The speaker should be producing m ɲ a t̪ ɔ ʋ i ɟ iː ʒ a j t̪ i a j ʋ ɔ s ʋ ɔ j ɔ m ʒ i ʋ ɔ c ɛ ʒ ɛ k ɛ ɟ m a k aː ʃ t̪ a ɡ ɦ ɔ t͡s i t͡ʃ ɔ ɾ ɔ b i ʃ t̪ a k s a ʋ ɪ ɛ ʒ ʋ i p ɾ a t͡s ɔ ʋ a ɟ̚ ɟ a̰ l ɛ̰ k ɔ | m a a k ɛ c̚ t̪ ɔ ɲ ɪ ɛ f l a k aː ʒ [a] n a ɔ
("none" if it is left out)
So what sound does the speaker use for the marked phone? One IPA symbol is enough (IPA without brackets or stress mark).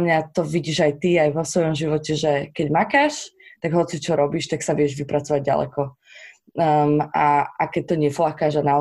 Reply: a